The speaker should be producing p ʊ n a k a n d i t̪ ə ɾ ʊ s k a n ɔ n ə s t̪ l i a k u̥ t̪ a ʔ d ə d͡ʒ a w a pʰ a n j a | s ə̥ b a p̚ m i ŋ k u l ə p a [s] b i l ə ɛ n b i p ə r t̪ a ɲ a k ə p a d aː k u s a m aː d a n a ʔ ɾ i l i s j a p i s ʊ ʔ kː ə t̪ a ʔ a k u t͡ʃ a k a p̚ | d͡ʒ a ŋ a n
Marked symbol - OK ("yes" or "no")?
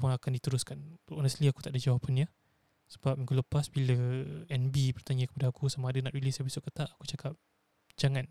yes